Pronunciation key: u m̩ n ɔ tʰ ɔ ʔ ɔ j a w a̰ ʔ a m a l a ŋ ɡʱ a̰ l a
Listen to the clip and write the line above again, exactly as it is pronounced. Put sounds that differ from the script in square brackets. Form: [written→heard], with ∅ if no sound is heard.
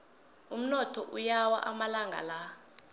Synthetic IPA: u m̩ n ɔ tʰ ɔ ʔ [ɔ→u] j a w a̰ ʔ a m a l a ŋ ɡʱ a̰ l a